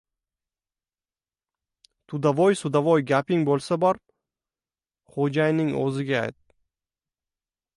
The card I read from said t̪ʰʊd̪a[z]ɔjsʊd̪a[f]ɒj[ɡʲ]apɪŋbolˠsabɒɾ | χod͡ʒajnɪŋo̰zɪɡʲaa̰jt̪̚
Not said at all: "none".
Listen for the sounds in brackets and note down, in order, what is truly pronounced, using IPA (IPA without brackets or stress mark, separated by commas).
v, v, ɡʲ